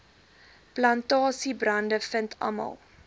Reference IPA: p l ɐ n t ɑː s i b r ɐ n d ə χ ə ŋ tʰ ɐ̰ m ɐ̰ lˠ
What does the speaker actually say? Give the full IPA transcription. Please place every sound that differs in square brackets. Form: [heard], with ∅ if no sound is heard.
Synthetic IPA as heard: p l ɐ n t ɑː s i b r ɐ n d ə [f] ə [n] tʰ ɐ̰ m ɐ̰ lˠ